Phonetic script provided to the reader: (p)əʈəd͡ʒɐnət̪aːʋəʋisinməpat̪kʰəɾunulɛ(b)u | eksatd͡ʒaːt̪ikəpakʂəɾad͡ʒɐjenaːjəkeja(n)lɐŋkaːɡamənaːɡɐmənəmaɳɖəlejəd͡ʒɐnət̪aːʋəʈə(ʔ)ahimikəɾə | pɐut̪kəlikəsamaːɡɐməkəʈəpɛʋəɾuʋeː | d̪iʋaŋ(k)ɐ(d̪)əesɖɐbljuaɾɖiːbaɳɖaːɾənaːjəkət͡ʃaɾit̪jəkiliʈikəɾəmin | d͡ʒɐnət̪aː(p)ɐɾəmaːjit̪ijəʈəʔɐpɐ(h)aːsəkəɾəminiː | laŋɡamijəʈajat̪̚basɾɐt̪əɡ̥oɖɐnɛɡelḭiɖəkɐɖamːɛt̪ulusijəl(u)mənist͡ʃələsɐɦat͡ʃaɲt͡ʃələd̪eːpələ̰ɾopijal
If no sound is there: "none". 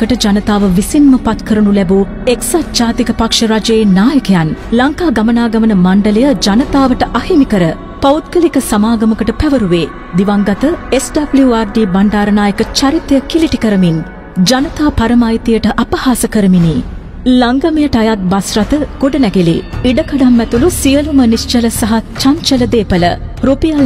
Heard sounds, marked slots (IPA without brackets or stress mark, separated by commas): k, b, n, ʔ, ɡ, t̪, p, h, u